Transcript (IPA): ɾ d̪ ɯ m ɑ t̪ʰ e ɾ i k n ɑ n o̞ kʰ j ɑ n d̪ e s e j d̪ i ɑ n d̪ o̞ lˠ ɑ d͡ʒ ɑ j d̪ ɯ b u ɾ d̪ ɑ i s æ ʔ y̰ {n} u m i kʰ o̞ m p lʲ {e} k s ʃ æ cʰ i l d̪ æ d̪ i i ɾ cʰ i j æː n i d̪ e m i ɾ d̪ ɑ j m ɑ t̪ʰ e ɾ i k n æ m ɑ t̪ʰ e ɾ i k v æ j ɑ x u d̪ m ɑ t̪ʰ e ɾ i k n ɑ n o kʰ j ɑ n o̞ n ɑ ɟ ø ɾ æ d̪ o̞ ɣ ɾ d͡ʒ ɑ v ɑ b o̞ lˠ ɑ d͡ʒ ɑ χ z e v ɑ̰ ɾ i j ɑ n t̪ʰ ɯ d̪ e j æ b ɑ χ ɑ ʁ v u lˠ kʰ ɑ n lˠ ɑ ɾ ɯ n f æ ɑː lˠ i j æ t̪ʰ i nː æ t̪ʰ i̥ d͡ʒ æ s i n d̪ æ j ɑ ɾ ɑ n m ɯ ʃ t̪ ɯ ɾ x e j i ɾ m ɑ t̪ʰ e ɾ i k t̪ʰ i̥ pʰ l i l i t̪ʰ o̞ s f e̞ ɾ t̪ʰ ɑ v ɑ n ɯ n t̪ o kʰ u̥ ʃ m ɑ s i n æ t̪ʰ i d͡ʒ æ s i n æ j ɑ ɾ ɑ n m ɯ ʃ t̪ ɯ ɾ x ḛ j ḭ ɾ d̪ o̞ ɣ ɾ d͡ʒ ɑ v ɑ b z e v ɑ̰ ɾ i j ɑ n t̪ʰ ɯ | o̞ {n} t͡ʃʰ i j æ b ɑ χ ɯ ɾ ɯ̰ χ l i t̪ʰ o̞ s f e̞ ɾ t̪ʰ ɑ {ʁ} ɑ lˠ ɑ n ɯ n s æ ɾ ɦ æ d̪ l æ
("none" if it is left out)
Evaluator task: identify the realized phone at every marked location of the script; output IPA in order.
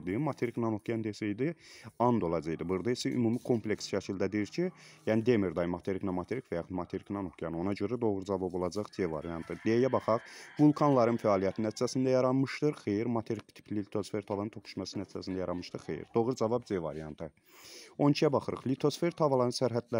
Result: m, e, n, v

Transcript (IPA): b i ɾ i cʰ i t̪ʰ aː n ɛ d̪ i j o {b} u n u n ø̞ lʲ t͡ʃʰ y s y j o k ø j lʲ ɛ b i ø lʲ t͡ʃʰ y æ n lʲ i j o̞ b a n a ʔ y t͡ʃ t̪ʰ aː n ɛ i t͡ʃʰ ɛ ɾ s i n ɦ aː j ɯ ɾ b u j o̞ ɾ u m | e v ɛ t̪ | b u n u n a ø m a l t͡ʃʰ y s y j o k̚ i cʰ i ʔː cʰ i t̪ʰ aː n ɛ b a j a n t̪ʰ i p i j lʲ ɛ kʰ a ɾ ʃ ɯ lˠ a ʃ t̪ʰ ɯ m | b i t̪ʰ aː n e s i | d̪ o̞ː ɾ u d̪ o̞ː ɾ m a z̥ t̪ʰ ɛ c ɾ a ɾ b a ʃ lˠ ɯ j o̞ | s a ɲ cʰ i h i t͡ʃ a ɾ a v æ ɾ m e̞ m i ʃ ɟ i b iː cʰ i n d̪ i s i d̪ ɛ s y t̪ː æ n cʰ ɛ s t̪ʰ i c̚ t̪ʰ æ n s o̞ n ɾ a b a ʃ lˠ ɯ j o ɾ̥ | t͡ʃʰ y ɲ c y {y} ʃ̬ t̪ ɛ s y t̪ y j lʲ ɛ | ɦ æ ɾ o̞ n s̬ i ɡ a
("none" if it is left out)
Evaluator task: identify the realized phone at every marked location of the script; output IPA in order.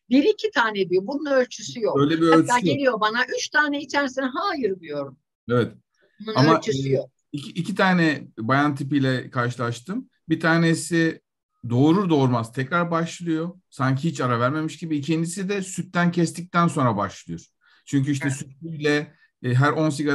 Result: b, i

